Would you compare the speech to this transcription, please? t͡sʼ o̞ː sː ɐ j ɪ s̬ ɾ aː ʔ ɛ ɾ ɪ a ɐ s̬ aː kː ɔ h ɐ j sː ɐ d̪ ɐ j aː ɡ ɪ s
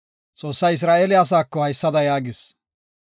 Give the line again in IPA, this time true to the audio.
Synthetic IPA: t͡sʼ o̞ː sː ɐ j ɪ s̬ ɾ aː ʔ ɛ l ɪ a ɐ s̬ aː kː ɔ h ɐ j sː ɐ d̪ ɐ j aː ɡ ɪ s